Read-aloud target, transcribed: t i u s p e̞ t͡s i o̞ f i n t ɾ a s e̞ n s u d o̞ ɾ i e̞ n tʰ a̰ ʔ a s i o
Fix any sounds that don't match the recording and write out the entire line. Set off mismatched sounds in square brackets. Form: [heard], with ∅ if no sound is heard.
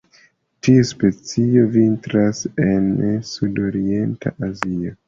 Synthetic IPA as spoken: t i u s p e̞ t͡s i o̞ [v] i n t ɾ a s e̞ n s u d o̞ ɾ i e̞ n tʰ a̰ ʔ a [z] i o